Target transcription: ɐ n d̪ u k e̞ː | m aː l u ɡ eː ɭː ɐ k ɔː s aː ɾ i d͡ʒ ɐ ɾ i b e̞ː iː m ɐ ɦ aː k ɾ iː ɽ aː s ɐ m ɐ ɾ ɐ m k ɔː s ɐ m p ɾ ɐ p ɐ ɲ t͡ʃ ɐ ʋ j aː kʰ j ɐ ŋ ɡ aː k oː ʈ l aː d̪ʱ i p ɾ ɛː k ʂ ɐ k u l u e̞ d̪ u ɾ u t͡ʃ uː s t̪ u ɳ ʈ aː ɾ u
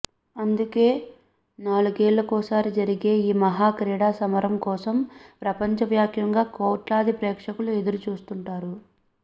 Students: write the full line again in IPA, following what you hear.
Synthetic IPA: ɐ n d̪ u k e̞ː | n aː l u ɡ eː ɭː ɐ k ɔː s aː ɾ i d͡ʒ ɐ ɾ i ɡ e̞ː iː m ɐ ɦ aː k ɾ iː ɽ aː s ɐ m ɐ ɾ ɐ m k ɔː s ɐ m p ɾ ɐ p ɐ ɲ t͡ʃ ɐ ʋ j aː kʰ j ɐ ŋ ɡ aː k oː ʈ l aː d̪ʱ i p ɾ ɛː k ʂ ɐ k u l u e̞ d̪ u ɾ u t͡ʃ uː s t̪ u ɳ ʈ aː ɾ u